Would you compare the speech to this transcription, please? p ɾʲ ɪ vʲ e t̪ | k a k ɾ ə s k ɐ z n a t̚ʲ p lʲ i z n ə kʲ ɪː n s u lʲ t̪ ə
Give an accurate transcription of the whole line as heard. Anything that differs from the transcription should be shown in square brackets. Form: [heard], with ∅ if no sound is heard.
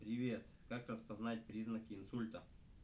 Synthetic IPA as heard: p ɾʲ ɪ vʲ e t̪ | k a k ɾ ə s [p] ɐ z n a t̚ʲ p [ɾʲ] i z n ə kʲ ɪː n s u lʲ t̪ ə